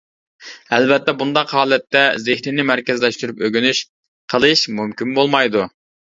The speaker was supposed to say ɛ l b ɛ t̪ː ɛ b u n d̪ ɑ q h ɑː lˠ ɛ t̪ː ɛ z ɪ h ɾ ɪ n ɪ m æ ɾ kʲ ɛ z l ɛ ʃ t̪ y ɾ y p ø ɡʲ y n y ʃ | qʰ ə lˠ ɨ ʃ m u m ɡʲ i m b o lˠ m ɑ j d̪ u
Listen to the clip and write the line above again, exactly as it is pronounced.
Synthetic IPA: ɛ l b ɛ t̪ː ɛ b u n d̪ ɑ q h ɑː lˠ ɛ t̪ː ɛ z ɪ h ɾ ɪ n ɪ m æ ɾ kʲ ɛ z l ɛ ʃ t̪ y ɾ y p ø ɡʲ y n y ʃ | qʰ ə lˠ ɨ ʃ m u m kʲ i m b o lˠ m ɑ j d̪ u